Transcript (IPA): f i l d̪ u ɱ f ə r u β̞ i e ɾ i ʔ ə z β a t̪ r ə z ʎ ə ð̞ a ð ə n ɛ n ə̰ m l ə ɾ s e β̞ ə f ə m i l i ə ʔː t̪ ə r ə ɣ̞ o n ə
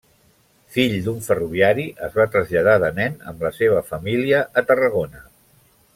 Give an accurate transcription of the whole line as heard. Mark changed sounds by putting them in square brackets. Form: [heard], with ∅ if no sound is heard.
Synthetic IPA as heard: f i [ʎ] d̪ u ɱ f ə r u β̞ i [a] ɾ i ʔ ə z β a t̪ [ɾ] ə z ʎ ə ð̞ a ð ə n ɛ n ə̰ m l ə [∅] s e β̞ ə f ə m i l i ə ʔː t̪ ə r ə ɣ̞ o n ə

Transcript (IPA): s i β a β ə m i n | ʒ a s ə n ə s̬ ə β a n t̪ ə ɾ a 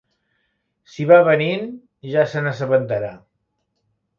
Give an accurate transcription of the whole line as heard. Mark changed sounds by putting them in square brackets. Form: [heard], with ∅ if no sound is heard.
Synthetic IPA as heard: s i β a β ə [n] i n | ʒ a s ə n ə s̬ ə β [ə] n t̪ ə ɾ a

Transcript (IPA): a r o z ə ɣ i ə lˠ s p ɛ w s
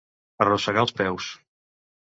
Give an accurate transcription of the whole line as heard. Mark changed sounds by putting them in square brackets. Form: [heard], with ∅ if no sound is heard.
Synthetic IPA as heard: [ə] r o [s] ə ɣ [a] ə lˠ s p ɛ w s

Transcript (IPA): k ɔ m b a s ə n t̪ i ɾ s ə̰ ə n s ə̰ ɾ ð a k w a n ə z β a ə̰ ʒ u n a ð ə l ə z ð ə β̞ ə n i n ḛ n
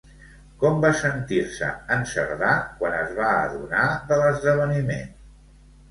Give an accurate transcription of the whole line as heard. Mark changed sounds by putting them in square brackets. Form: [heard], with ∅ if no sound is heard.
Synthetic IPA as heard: k ɔ m b a s ə n t̪ i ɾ s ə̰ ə n s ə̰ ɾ ð a k w a n ə z β a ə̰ [ð] u n a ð ə l ə z ð ə β̞ ə n i [m] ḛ n

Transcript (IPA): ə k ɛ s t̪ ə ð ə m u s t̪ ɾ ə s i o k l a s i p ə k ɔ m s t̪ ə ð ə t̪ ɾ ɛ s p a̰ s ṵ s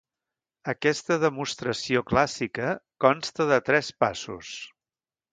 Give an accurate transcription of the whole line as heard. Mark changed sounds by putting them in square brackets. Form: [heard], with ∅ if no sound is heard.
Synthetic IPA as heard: ə k ɛ s t̪ ə ð ə m u s t̪ ɾ ə s i o k l a s i [k] ə k ɔ [n] s t̪ ə ð ə t̪ ɾ ɛ s p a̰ s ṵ s

